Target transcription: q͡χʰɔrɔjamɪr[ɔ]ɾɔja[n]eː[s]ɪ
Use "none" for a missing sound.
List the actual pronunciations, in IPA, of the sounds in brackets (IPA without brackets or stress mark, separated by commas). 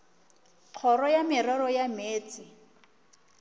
ɔ, m, t͡s